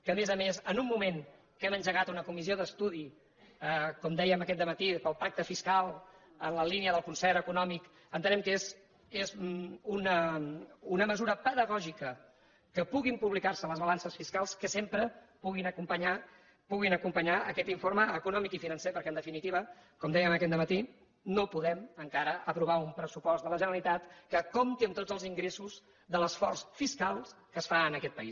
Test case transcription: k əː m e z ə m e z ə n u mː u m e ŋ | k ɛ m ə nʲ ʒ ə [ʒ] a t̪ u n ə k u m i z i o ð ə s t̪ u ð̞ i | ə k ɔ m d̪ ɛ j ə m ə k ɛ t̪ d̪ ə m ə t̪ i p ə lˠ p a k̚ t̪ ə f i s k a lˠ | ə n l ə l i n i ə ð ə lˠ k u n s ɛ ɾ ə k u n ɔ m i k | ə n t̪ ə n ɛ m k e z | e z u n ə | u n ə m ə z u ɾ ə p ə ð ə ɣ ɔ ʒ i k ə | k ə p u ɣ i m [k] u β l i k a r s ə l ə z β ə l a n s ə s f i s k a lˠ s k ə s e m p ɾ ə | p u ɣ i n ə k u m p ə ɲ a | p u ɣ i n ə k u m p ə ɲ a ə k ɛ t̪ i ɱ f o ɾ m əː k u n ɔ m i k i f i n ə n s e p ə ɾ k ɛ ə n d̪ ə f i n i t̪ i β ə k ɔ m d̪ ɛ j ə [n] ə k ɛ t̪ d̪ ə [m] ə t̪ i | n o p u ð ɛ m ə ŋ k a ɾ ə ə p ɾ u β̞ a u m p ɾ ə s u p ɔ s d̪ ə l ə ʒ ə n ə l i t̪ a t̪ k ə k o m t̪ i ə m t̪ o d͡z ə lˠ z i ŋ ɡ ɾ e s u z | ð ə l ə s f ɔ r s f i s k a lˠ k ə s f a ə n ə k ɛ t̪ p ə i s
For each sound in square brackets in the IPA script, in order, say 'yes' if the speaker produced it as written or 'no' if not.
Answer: no, no, no, yes

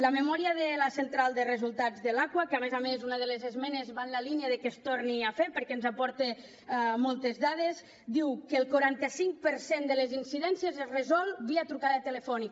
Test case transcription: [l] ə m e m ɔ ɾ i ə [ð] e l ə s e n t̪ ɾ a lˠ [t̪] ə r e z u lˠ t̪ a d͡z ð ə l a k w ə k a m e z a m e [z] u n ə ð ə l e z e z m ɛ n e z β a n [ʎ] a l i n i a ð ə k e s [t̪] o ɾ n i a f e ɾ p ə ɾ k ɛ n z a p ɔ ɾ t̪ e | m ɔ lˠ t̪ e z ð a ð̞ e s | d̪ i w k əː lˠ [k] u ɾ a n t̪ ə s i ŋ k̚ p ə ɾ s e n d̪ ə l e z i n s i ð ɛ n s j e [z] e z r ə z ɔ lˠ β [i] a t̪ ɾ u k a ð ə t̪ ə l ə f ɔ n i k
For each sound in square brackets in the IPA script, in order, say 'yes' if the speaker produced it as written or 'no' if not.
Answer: yes, yes, no, yes, no, yes, yes, yes, yes

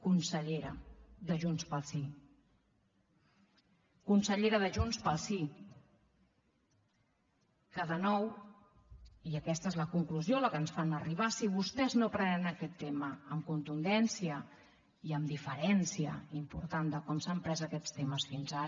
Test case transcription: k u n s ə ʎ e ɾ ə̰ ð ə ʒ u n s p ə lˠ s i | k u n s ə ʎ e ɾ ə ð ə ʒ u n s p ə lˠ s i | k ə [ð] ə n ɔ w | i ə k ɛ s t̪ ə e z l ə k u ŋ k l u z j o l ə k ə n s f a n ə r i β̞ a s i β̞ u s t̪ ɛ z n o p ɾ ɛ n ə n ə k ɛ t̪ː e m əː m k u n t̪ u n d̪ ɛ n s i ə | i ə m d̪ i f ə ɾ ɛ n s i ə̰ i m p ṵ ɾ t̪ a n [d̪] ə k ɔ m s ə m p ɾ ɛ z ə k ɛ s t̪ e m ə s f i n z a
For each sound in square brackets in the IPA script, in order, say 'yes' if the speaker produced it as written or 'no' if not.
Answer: yes, yes

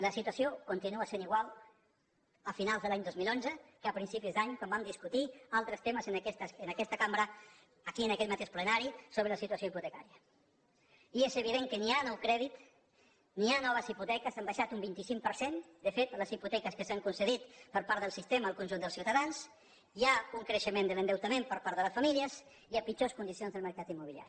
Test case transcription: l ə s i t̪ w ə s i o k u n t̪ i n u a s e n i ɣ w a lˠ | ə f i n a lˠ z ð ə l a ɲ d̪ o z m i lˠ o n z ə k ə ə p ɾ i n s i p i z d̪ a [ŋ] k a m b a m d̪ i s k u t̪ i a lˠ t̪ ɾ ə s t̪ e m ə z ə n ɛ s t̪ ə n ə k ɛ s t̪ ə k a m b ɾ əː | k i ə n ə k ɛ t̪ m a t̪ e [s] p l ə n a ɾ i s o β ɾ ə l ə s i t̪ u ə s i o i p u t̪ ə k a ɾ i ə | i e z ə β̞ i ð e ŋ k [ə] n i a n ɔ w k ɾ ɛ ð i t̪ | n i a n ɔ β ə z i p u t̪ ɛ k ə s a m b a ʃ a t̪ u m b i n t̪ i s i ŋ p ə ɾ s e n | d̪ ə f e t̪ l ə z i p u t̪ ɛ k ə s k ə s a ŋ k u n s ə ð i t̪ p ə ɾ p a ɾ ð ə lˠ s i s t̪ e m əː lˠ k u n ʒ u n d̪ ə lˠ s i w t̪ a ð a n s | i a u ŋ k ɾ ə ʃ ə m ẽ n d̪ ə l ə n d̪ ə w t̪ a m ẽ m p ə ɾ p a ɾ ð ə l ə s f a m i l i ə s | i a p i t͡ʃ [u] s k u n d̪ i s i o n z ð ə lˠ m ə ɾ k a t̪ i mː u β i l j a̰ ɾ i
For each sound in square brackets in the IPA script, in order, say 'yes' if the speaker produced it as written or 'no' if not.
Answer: no, no, yes, no

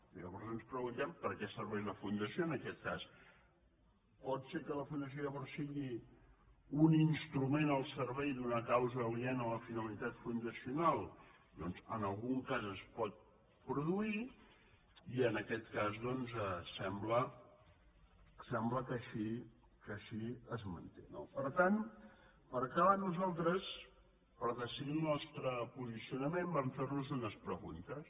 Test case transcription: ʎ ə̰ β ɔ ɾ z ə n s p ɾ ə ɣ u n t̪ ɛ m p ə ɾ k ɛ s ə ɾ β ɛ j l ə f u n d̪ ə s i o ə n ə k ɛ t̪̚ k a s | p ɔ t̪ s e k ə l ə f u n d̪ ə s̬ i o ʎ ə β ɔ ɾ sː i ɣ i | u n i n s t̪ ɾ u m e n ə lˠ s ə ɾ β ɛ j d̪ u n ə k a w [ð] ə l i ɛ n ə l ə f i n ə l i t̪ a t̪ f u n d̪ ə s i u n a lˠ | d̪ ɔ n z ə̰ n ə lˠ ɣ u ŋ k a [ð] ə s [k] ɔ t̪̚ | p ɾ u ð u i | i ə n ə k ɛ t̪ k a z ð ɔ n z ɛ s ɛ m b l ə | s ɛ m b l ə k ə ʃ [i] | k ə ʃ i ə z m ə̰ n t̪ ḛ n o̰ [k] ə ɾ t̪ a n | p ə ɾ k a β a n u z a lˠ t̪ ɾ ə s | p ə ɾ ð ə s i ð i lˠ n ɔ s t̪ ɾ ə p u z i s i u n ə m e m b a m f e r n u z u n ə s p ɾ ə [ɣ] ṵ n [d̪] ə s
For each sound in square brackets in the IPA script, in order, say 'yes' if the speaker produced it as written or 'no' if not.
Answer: no, no, no, yes, no, yes, no

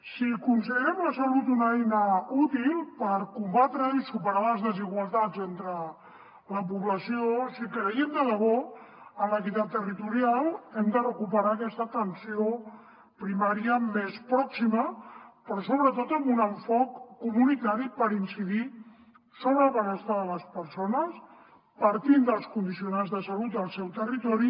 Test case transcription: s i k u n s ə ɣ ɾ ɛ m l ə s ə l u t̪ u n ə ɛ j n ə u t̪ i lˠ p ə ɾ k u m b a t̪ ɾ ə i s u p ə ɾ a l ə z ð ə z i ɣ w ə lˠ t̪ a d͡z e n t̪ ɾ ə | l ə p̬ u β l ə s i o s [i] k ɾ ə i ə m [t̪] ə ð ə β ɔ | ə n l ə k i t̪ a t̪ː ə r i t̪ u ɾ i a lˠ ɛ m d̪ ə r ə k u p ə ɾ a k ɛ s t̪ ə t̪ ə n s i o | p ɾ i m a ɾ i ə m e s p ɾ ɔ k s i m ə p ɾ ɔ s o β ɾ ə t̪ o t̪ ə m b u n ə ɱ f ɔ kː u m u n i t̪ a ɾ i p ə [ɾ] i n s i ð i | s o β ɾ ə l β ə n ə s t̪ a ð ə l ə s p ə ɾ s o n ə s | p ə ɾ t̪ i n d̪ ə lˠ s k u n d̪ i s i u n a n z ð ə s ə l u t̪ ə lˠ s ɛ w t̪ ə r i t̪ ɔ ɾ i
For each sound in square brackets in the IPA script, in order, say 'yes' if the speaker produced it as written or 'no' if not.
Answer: yes, no, yes

